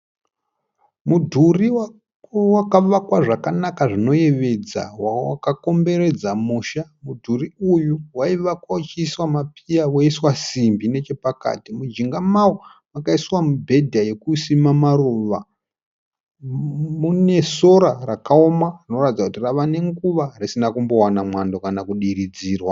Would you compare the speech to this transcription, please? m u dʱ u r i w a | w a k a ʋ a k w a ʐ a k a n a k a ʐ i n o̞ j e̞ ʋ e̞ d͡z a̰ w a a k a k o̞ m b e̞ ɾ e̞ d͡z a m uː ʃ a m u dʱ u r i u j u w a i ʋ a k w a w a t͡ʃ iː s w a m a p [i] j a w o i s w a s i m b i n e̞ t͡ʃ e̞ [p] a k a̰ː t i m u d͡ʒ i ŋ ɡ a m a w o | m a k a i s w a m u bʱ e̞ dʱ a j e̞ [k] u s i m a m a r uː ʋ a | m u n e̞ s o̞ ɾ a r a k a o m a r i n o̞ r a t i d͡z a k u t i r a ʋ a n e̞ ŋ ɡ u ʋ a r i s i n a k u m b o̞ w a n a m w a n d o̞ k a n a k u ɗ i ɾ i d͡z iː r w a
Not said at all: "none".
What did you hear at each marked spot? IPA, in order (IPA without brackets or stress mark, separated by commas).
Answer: i, p, k